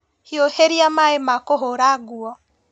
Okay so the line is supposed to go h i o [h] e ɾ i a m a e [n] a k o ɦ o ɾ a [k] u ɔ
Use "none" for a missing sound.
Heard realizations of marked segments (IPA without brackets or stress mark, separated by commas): h, m, ɡ